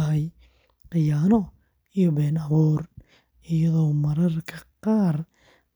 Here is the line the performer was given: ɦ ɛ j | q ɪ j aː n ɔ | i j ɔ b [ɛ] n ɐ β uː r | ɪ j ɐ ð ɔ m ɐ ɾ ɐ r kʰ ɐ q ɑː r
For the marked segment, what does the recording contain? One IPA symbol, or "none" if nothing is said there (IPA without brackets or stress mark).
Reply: ɛː